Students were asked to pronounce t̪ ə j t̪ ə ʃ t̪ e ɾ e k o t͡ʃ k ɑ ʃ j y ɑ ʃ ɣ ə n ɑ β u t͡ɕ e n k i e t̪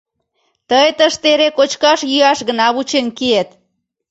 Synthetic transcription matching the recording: t̪ ə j t̪ ə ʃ t̪ e ɾ e k o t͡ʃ k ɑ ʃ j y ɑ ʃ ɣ ə n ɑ β u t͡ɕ e n k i e t̪